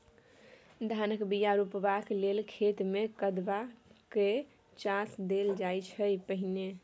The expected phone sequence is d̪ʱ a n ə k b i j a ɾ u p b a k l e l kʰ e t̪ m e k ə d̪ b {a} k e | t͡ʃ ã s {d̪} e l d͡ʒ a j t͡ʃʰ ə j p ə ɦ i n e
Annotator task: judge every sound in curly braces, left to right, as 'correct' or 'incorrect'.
correct, correct

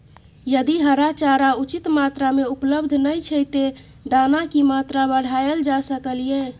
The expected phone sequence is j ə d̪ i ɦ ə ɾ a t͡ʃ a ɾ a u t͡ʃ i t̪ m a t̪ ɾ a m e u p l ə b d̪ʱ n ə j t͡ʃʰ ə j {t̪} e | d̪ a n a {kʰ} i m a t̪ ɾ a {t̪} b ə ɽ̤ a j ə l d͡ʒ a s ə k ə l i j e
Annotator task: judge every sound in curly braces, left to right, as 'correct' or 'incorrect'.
correct, incorrect, incorrect

